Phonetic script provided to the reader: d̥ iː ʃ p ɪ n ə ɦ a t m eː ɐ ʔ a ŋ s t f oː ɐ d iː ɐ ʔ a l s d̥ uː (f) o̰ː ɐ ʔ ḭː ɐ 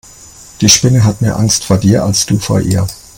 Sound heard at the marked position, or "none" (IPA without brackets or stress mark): f